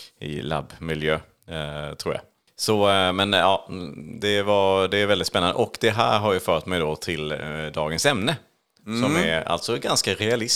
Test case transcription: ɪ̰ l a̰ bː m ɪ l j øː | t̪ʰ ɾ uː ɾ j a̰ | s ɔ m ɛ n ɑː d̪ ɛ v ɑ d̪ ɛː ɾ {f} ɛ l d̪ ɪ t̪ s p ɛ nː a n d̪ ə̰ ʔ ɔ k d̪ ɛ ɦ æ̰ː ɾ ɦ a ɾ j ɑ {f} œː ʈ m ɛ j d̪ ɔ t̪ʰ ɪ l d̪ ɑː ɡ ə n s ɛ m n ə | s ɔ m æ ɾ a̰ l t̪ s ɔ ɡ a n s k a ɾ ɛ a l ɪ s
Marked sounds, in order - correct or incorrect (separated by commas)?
incorrect, correct